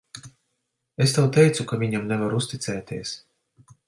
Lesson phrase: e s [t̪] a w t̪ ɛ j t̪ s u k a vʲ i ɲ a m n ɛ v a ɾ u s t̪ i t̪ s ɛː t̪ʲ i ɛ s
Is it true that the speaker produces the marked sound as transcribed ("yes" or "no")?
yes